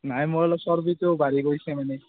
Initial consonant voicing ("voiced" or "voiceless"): voiced